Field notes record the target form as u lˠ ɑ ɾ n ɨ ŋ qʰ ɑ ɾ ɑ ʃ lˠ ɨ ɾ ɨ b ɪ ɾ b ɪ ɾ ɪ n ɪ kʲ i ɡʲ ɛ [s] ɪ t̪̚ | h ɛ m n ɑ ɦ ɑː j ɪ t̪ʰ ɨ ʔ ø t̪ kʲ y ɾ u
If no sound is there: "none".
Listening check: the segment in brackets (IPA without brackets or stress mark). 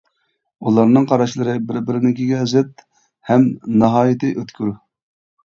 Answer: z